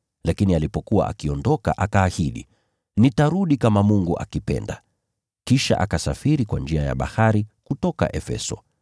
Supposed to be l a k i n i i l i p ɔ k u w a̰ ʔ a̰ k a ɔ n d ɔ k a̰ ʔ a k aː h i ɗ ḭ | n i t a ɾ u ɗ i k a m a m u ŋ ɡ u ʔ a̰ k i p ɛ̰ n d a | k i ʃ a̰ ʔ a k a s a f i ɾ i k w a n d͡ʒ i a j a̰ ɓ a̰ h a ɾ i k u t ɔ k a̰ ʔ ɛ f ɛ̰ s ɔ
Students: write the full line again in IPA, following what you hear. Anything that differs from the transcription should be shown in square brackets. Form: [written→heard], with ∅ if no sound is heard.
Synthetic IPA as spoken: l a k i n i [i→a] l i p ɔ k u w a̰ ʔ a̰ k [a→i] ɔ n d ɔ k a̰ ʔ a k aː h i ɗ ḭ | n i t a ɾ u ɗ i k a m a m u ŋ ɡ u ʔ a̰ k i p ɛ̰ n d a | k i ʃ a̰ ʔ a k a s a f i ɾ i k w a n d͡ʒ i a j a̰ ɓ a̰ h a ɾ i k u t ɔ k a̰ ʔ ɛ f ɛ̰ s ɔ